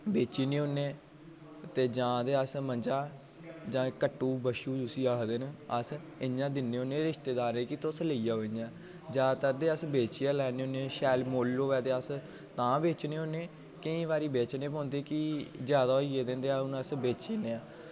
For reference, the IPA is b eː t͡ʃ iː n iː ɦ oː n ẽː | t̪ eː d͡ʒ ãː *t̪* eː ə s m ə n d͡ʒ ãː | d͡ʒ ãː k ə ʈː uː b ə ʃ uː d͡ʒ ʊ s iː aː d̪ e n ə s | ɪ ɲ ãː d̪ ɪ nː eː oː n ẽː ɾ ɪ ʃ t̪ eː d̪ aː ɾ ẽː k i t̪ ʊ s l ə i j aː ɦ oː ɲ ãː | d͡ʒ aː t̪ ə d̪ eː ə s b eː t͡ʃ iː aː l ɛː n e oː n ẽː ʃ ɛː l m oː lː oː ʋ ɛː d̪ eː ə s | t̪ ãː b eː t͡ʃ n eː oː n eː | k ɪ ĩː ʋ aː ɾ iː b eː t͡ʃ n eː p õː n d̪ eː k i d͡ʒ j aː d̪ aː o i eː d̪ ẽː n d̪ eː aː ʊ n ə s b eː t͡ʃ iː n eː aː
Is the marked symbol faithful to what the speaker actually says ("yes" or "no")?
no